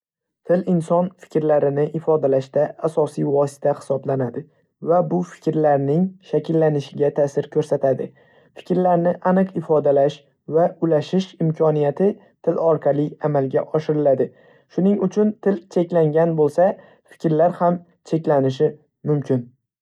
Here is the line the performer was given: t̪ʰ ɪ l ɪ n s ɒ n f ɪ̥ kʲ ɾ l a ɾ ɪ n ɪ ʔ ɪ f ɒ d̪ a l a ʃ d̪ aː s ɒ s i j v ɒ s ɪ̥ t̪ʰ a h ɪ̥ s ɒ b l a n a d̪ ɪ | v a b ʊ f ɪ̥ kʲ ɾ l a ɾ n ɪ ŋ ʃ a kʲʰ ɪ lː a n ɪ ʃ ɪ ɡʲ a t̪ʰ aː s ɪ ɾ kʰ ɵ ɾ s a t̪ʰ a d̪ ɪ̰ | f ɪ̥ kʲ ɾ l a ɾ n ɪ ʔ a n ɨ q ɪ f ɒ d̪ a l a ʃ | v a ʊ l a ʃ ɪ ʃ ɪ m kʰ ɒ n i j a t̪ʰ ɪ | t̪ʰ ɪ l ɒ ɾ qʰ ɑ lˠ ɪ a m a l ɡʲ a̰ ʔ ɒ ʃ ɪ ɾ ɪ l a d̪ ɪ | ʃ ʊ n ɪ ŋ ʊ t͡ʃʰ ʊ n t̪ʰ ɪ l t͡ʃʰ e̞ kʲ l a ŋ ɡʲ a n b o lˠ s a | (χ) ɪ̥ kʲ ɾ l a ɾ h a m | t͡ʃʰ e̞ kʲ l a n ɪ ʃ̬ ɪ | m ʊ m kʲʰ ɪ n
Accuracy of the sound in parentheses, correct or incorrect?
incorrect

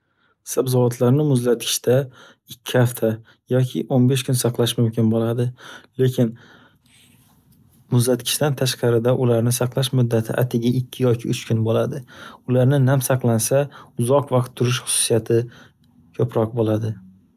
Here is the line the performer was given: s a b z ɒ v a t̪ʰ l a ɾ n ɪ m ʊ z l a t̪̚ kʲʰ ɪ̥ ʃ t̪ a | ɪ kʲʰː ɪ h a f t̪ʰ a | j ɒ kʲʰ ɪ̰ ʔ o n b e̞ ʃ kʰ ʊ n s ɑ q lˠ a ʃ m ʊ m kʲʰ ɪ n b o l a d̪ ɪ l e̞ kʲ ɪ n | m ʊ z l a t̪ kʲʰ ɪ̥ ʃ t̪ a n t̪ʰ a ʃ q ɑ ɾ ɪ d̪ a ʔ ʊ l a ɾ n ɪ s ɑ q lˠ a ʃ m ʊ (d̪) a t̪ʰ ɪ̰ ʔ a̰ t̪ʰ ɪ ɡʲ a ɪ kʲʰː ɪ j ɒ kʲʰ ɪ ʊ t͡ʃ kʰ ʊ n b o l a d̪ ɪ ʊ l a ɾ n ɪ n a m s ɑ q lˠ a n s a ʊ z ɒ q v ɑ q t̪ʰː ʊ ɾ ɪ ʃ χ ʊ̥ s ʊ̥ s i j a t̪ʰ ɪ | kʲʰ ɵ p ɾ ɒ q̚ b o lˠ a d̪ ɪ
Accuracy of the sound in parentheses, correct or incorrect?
incorrect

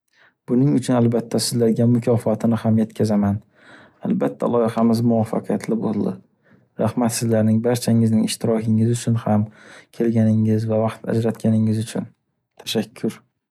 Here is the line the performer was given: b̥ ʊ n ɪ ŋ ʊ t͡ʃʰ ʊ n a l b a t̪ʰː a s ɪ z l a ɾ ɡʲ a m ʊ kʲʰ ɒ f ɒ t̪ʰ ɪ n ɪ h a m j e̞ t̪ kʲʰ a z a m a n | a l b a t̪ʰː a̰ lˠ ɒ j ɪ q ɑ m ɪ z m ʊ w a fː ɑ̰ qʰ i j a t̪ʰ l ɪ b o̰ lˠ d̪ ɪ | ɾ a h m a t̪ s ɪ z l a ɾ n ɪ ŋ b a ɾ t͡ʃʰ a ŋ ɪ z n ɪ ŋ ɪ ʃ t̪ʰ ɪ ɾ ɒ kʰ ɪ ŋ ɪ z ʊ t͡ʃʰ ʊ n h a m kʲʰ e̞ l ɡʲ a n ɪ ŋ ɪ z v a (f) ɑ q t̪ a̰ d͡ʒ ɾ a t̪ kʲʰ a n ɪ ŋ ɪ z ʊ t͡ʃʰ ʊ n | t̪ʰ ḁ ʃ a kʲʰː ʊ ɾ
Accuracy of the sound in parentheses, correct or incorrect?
incorrect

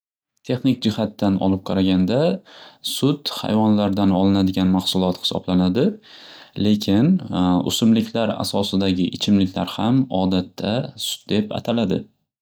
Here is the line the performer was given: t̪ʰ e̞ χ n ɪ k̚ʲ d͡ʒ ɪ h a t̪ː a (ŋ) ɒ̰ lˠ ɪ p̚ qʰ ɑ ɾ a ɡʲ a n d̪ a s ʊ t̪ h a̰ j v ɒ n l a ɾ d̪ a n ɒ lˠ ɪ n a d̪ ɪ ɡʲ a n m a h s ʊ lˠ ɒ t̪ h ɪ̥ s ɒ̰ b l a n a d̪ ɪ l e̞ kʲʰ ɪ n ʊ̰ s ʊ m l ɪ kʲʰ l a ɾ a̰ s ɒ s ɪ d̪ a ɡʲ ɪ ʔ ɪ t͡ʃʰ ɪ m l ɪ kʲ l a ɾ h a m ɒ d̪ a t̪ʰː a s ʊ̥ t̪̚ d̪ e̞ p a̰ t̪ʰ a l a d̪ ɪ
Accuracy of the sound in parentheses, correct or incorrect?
incorrect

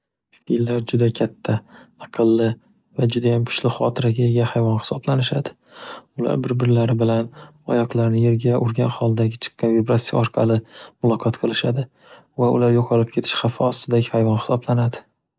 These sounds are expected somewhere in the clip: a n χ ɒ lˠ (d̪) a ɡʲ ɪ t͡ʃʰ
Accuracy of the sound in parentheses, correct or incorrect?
correct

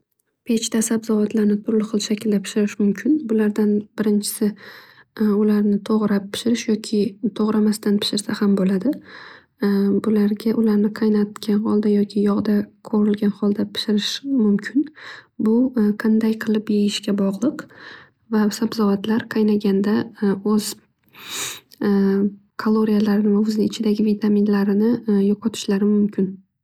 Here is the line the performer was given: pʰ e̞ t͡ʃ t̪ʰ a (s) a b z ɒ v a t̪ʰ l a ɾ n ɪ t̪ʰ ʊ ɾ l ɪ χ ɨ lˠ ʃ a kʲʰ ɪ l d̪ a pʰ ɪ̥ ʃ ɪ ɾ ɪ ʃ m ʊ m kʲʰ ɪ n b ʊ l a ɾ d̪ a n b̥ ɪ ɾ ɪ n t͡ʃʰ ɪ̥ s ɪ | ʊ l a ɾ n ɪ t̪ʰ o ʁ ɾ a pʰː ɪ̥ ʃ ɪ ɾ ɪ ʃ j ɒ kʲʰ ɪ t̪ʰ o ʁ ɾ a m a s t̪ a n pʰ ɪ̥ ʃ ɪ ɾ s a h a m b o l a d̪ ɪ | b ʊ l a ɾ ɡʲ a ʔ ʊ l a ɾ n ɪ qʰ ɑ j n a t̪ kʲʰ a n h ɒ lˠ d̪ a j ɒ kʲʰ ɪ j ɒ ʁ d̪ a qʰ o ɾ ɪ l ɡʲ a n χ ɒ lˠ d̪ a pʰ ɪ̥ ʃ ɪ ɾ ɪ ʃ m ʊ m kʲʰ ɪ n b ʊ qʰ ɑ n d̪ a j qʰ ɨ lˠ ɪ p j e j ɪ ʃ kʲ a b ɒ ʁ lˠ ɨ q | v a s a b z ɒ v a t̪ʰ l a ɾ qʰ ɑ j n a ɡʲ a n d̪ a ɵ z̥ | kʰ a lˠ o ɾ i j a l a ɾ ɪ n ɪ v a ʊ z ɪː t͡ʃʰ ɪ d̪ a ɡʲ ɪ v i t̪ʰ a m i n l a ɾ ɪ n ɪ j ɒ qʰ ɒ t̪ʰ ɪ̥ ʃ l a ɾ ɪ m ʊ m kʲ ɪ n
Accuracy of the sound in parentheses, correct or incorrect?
correct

